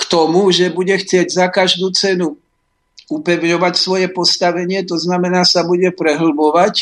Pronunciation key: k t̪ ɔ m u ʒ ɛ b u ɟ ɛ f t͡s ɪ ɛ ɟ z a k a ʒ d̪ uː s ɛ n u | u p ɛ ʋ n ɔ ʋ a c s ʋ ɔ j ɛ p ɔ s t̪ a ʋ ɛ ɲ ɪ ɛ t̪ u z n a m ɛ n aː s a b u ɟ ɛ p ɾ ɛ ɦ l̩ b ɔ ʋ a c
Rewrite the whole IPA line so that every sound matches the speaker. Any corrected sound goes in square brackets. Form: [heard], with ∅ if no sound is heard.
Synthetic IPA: k t̪ ɔ m u ʒ ɛ b u ɟ ɛ [x] t͡s ɪ ɛ ɟ z a k a ʒ d̪ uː [t͡s] ɛ n u | u p ɛ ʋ [ɲ] ɔ ʋ a c s ʋ ɔ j ɛ p ɔ s t̪ a ʋ ɛ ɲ ɪ ɛ t̪ [ɔ] z n a m ɛ n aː s a b u ɟ ɛ p ɾ ɛ ɦ l̩ b ɔ ʋ a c